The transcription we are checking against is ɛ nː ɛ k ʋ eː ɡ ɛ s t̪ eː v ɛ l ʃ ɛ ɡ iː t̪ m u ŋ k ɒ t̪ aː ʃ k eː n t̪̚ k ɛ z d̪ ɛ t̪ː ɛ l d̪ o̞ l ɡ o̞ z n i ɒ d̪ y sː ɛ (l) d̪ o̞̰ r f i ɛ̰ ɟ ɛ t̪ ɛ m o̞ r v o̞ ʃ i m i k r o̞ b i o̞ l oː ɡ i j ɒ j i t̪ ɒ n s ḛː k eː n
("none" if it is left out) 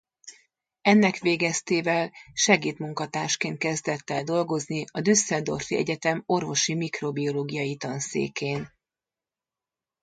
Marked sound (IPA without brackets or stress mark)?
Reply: l